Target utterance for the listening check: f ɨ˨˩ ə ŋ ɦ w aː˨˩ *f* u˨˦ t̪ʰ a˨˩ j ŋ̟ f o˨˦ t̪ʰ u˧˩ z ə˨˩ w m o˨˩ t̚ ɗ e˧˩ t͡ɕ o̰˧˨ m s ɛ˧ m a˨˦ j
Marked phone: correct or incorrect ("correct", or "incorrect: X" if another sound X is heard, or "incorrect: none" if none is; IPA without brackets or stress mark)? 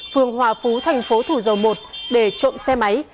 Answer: correct